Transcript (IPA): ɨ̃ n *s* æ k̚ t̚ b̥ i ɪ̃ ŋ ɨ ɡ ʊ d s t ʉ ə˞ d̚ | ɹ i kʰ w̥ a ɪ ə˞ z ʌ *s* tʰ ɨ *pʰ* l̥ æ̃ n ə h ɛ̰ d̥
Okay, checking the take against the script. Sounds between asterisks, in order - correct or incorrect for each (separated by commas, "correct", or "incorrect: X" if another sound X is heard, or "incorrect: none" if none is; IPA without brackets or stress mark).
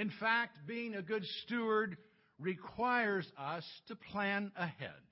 incorrect: f, correct, correct